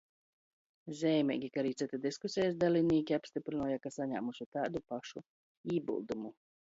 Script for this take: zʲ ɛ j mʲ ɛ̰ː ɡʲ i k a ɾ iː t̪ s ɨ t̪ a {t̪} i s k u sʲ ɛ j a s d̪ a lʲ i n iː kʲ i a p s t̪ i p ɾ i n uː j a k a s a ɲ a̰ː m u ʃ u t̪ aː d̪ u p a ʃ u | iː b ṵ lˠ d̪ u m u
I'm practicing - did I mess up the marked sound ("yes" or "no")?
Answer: yes